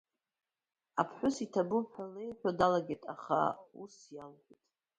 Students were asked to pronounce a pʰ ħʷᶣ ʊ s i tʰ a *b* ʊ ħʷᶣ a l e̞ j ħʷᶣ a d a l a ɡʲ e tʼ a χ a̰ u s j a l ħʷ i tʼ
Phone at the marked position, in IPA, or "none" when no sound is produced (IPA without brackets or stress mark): b